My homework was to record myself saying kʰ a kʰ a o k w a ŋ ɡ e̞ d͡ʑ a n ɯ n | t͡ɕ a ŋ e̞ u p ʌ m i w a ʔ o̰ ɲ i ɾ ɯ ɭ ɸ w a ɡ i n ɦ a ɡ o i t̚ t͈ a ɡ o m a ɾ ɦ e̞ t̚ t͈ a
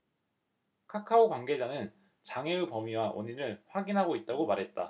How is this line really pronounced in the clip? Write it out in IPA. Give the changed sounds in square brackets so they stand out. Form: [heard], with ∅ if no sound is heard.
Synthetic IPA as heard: kʰ a kʰ a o k w a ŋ ɡ e̞ d͡ʑ a n ɯ n | t͡ɕ a ŋ e̞ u p ʌ m i w a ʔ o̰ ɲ i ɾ ɯ ɭ ɸ w a ɡ i n ɦ a ɡ o i t̚ t͈ a ɡ o m a ɾ ɦ e̞ t̚ t͈ a